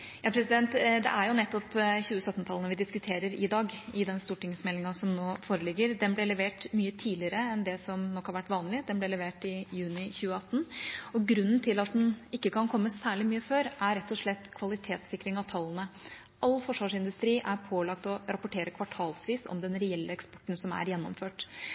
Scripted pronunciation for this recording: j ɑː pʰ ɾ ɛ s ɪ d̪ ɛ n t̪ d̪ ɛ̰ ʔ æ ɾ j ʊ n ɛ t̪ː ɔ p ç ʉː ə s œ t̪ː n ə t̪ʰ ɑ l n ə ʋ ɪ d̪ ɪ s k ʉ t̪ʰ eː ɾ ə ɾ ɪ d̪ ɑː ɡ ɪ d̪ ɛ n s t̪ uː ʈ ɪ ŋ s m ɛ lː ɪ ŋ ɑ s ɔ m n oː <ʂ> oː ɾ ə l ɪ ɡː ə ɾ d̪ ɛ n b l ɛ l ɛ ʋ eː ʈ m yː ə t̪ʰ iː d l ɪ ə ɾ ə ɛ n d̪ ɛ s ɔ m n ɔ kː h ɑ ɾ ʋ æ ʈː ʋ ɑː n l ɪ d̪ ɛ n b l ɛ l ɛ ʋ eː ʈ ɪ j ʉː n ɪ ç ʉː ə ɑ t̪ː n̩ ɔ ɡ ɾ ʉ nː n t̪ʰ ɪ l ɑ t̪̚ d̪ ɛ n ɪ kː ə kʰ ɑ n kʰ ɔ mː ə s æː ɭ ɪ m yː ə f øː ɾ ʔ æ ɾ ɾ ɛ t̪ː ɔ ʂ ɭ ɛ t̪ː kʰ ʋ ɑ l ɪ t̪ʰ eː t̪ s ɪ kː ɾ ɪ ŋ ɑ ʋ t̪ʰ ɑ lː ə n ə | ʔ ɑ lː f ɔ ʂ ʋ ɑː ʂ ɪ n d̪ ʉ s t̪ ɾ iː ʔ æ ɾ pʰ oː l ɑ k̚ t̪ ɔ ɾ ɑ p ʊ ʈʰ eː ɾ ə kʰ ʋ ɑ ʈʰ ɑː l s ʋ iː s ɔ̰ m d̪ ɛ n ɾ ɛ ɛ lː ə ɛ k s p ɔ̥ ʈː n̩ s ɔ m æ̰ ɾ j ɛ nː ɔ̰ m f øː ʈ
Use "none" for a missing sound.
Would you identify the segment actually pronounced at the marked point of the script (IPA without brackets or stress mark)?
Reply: f